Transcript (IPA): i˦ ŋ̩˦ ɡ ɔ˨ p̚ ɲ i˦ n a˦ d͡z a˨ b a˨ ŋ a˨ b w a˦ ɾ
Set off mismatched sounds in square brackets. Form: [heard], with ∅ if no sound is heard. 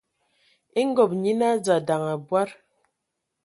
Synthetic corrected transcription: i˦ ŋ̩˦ ɡ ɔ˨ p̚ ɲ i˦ n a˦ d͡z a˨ [d] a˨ ŋ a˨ b w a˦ ɾ